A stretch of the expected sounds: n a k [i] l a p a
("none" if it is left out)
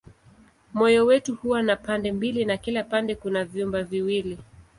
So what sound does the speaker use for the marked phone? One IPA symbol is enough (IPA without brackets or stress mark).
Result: i